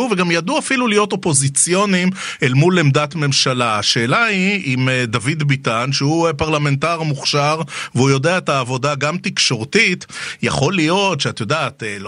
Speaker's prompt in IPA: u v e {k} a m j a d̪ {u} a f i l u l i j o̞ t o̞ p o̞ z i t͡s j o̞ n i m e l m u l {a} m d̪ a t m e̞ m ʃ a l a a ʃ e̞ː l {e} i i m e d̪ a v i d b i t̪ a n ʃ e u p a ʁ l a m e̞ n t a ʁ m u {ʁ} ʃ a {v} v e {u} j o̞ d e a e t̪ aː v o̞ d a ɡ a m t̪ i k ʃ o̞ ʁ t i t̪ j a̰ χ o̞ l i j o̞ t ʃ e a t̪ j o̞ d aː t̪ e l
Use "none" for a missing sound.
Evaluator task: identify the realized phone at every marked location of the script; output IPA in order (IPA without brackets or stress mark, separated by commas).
ɡ, u, e, a, χ, ʁ, u